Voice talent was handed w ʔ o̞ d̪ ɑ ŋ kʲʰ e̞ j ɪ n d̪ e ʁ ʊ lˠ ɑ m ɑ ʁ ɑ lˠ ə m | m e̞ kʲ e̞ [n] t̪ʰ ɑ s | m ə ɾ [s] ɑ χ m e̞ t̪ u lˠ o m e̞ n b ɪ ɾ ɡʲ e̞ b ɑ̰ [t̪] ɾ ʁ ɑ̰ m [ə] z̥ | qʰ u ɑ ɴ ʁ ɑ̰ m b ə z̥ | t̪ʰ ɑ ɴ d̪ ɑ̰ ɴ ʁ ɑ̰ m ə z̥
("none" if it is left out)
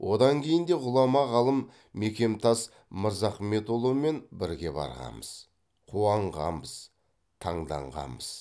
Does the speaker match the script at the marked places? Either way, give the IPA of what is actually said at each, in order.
m, z, none, ə

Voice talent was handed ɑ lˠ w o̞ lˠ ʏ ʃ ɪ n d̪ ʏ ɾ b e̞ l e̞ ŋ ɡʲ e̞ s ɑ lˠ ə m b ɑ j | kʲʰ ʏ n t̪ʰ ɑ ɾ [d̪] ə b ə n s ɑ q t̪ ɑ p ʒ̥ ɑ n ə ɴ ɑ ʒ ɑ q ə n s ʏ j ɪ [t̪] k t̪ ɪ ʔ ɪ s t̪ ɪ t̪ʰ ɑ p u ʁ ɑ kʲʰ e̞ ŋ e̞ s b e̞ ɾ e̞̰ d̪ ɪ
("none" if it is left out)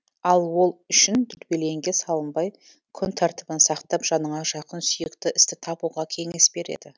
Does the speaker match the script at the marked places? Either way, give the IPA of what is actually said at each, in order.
t̪, none

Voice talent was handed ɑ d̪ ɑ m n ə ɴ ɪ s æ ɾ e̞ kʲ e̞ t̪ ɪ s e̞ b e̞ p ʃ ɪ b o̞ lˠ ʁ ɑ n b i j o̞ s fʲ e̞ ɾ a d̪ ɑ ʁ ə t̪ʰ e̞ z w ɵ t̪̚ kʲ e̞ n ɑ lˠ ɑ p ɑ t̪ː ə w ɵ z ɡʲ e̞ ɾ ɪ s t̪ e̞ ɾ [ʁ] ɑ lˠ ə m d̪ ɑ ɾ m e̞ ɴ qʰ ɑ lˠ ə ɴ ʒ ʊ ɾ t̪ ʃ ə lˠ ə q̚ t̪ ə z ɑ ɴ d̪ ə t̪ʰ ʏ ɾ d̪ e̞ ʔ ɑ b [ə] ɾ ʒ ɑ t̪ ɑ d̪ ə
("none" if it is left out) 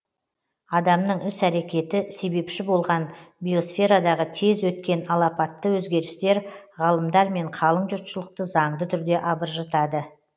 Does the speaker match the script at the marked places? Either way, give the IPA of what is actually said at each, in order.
ʁ, ə

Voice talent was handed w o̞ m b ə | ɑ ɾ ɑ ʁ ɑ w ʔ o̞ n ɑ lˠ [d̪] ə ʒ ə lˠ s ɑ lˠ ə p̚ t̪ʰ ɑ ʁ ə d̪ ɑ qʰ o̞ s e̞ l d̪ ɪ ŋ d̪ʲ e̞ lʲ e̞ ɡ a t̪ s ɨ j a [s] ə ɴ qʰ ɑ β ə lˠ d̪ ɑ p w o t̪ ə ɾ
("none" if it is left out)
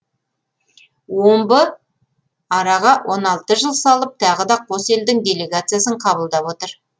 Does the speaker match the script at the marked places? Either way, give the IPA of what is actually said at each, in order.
t̪, s

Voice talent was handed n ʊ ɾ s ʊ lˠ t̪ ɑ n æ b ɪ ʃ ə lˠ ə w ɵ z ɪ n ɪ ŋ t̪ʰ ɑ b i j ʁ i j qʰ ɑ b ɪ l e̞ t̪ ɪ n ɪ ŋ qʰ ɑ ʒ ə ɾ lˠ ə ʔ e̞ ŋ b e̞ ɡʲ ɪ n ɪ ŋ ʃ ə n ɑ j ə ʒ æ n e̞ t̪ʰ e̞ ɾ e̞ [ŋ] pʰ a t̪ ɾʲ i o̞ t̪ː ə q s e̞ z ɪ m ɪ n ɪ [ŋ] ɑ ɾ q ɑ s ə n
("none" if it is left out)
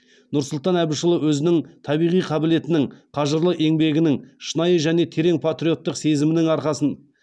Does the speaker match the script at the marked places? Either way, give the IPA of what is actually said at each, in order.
ŋ, ŋ

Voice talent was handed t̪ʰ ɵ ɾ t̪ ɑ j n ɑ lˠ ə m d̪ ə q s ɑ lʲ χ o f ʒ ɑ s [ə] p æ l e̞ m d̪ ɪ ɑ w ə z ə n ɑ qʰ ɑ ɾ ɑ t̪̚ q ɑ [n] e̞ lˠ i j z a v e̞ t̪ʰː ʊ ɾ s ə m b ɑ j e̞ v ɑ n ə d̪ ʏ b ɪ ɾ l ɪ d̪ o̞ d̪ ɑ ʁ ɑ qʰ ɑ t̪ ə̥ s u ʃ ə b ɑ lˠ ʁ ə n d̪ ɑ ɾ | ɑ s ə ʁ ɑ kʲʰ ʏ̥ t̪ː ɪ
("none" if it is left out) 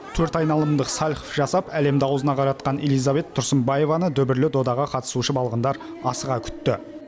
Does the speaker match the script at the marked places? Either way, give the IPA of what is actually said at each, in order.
ɑ, n

